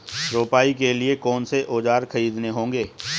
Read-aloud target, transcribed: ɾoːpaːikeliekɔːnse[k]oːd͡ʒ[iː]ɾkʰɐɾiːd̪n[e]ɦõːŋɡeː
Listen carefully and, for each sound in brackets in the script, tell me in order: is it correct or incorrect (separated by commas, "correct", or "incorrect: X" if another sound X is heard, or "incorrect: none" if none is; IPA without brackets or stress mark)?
incorrect: ʔ, incorrect: aː, correct